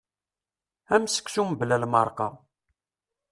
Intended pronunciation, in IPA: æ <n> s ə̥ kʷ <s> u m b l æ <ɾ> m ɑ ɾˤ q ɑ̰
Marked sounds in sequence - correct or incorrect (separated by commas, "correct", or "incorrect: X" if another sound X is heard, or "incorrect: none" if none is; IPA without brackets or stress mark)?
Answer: incorrect: m, correct, incorrect: l